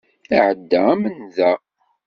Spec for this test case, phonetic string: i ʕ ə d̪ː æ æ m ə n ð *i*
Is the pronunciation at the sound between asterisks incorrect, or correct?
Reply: incorrect